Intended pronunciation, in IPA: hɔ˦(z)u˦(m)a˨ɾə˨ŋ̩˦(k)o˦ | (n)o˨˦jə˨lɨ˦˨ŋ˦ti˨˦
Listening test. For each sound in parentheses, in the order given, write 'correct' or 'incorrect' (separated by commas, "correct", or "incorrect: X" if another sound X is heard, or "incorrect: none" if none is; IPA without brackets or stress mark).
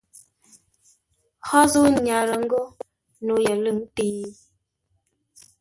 correct, incorrect: ɲ, incorrect: ɡ, correct